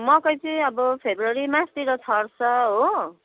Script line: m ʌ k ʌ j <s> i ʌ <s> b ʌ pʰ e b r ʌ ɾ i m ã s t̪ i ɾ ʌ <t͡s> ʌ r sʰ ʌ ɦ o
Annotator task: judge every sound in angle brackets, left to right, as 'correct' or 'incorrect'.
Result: incorrect: t͡s, incorrect: none, incorrect: t͡sʰ

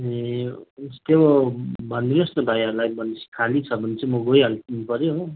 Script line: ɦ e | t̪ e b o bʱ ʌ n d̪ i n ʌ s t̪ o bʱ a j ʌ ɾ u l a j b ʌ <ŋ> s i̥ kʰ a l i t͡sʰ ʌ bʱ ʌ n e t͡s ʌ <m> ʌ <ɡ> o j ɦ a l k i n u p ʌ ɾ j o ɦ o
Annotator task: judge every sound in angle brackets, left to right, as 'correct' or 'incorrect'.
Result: incorrect: n, correct, correct

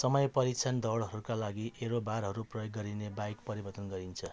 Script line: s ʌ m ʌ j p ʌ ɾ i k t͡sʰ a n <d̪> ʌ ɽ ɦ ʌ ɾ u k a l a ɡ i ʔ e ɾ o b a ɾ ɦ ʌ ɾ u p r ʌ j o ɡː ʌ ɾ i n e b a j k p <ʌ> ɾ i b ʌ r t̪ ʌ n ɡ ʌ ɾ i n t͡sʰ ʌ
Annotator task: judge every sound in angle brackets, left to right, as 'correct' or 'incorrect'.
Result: correct, correct

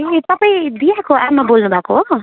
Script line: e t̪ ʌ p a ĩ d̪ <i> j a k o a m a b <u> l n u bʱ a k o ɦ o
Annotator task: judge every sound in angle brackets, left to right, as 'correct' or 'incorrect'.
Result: correct, incorrect: o

